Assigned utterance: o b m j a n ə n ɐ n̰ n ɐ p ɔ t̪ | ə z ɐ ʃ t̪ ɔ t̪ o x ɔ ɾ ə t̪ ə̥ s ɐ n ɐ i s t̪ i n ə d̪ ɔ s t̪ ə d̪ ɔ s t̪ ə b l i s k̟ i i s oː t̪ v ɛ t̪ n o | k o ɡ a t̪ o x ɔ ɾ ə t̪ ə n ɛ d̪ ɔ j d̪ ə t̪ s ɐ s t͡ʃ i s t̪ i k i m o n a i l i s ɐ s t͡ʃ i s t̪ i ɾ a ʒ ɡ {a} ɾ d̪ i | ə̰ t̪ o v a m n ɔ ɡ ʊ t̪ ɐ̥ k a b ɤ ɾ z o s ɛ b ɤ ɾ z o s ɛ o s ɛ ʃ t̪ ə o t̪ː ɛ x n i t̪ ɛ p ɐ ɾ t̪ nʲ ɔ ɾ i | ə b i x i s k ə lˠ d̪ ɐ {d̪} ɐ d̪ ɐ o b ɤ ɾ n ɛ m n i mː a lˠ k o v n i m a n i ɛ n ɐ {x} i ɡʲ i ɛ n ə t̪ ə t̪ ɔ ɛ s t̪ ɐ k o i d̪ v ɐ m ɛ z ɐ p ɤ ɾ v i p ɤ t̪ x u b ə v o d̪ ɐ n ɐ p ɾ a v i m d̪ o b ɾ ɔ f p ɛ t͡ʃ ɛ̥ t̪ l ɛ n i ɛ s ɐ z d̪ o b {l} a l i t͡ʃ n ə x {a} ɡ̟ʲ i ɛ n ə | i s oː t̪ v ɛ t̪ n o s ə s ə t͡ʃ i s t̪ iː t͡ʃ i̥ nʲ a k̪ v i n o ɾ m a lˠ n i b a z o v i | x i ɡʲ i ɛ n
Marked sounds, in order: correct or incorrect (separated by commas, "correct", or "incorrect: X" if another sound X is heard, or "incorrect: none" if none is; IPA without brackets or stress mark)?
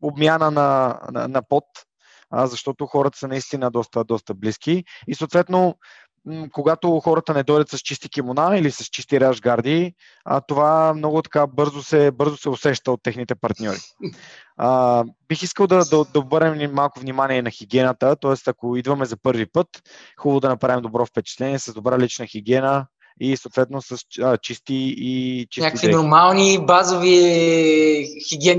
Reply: correct, correct, correct, incorrect: ɾ, incorrect: i